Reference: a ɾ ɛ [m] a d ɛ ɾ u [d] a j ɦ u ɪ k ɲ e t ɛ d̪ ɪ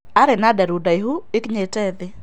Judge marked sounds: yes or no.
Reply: no, yes

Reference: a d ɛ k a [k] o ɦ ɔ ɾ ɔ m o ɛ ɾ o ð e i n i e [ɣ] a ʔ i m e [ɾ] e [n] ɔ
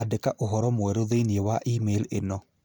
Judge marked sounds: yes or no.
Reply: no, no, no, yes

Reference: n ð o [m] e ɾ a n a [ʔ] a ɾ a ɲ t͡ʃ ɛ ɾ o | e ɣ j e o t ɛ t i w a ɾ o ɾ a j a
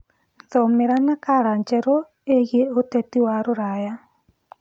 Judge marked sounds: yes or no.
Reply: yes, no

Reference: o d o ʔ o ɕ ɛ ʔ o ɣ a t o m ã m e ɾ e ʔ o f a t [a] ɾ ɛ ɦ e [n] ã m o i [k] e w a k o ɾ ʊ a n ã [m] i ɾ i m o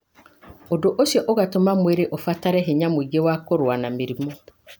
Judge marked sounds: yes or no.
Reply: yes, no, no, yes

